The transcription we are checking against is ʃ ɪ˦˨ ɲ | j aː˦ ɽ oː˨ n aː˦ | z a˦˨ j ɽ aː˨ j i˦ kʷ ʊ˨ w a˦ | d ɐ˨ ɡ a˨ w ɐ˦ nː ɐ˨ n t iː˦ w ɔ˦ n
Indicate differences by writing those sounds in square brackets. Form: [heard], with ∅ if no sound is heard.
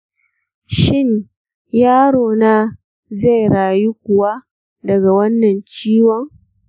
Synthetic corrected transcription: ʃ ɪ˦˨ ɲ | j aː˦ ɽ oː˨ n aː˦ | z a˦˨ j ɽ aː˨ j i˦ kʷ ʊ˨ w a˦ | d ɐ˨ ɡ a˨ w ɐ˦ nː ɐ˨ n [t͡ʃ] iː˦ w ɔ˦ [ŋ]